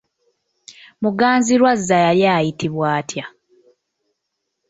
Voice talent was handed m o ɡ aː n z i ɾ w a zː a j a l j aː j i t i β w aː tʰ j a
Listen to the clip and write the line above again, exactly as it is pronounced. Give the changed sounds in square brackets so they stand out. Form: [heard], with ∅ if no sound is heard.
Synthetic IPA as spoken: m [u] ɡ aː n z i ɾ w a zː a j a l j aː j i t i β w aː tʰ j a